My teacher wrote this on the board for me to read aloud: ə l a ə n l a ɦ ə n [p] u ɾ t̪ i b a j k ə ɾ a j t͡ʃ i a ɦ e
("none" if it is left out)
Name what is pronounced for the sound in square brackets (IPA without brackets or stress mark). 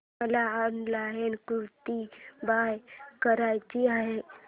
k